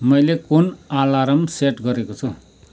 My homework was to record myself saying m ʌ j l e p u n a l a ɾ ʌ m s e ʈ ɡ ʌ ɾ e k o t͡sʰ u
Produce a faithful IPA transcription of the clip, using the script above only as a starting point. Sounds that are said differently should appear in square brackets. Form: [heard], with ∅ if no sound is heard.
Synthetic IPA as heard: m ʌ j l e [k] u n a l a ɾ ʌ m s e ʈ ɡ ʌ ɾ e k o t͡sʰ u